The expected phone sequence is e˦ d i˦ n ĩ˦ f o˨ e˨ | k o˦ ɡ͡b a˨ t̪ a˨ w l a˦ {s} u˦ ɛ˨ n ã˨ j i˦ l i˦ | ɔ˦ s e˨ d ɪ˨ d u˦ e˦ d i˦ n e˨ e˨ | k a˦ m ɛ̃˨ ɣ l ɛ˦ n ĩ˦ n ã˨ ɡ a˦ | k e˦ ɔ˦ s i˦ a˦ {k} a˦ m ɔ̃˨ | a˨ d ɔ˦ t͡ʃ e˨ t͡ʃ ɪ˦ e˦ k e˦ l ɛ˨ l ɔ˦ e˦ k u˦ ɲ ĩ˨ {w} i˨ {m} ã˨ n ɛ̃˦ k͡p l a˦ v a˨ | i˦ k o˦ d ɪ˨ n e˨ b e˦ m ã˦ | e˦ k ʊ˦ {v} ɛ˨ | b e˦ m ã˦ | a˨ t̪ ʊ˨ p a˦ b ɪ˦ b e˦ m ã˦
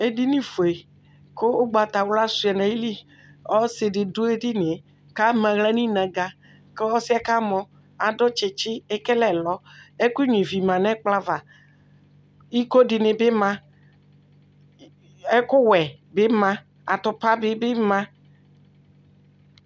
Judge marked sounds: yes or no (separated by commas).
yes, yes, no, yes, no